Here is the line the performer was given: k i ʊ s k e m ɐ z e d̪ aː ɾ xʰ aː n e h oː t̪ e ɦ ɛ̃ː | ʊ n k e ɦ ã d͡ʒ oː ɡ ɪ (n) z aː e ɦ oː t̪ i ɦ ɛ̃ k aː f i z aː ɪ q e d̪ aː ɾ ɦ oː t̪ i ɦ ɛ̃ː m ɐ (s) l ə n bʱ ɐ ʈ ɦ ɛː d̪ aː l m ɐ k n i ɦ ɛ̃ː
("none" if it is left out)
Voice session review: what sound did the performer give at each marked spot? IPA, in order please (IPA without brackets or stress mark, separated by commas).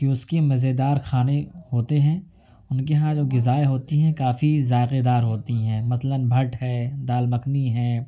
none, s